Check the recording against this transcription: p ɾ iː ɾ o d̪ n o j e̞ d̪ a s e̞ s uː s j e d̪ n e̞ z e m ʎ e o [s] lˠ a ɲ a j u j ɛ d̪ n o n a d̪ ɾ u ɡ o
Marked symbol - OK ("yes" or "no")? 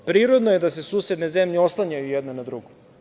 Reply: yes